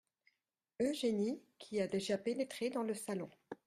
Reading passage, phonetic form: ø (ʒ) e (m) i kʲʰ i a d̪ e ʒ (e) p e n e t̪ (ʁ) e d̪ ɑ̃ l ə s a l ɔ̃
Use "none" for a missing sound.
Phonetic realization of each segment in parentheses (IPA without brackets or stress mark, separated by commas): ʒ, n, a, χ